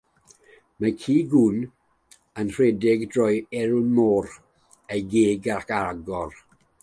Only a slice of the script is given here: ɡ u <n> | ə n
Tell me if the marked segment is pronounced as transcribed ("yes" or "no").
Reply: yes